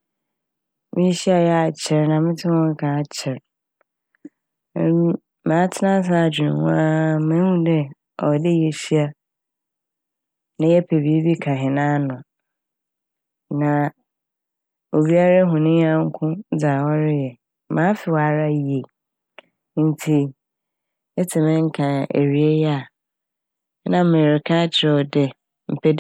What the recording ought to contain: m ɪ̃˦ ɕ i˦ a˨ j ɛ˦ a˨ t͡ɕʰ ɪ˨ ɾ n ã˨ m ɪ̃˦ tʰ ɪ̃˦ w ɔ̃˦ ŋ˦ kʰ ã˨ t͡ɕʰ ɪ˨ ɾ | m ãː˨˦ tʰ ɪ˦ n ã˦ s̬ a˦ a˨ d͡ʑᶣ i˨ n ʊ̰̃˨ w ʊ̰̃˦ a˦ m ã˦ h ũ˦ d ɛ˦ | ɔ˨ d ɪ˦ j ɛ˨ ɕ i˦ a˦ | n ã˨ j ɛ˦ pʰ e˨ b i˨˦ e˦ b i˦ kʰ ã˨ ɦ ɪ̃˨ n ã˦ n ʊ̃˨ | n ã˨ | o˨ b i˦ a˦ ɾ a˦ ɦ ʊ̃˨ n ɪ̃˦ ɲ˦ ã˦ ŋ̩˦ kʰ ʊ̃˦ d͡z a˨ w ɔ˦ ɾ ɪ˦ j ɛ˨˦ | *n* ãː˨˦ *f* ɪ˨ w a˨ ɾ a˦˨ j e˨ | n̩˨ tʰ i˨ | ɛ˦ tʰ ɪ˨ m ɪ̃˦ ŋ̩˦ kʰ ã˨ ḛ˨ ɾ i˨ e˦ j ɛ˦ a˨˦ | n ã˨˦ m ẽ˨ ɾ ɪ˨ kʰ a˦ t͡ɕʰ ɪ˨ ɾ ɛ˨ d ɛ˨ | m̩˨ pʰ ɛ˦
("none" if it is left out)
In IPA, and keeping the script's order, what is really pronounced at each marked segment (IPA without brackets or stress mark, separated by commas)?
m, f